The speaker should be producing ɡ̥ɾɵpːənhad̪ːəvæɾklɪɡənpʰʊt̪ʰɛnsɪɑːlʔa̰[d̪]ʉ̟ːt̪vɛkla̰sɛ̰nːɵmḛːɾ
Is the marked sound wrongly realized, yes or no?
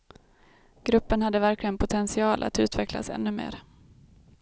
yes